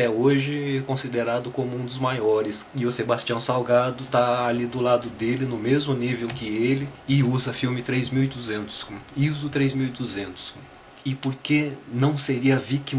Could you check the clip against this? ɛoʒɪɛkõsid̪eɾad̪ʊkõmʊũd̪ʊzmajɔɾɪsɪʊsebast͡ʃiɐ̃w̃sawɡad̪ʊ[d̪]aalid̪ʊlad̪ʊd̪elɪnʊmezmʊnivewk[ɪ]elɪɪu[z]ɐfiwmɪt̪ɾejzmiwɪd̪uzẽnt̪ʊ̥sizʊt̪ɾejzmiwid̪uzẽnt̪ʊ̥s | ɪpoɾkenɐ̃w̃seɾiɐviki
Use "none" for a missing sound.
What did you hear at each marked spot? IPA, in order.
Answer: t̪, ɪ, z

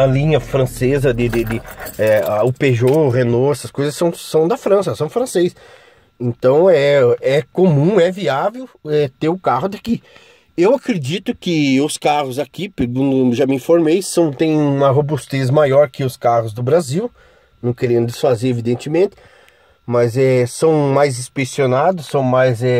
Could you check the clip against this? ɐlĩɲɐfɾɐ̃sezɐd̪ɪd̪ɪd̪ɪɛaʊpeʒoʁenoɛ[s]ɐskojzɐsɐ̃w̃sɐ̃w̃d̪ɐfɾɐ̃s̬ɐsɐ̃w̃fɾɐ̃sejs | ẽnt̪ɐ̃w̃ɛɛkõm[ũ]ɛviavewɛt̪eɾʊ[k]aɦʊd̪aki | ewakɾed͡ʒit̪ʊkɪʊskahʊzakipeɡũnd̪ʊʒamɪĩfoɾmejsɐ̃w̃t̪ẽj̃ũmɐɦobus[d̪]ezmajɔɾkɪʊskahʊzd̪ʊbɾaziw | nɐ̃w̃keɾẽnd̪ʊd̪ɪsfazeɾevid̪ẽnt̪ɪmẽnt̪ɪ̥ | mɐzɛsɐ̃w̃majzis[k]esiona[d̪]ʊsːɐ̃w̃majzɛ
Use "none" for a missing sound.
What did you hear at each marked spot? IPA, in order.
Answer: s, ũ, k, t̪, p, d̪

